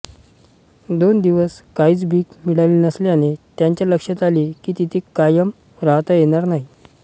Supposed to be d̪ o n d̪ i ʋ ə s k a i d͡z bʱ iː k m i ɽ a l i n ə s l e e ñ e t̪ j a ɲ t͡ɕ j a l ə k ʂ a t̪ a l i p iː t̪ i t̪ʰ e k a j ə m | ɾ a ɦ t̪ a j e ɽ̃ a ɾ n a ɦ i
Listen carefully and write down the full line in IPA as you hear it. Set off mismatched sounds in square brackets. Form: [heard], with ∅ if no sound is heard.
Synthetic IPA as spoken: d̪ o n d̪ i ʋ ə s k a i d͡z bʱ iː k m i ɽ a l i n ə s l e [a] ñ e t̪ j a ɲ t͡ɕ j a l ə k ʂ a t̪ a l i [k] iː t̪ i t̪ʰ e k a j ə m | ɾ a ɦ t̪ a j e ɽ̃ a ɾ n a ɦ i